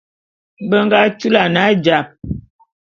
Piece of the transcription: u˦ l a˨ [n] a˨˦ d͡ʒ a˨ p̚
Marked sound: correct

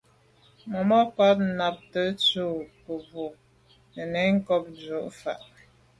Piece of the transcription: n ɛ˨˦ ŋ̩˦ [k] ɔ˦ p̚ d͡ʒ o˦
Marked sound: correct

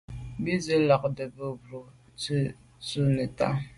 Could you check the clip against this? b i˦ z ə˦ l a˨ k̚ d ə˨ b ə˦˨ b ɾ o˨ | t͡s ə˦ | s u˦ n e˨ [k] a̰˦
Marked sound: incorrect: t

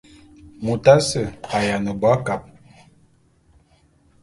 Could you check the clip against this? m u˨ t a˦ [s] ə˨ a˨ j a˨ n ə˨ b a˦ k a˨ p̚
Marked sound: correct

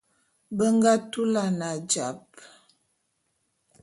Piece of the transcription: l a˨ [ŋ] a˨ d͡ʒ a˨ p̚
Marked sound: incorrect: n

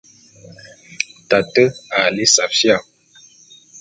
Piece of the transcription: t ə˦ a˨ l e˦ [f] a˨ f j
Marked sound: incorrect: s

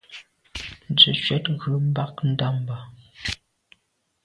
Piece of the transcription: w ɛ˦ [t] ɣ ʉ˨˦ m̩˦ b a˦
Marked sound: correct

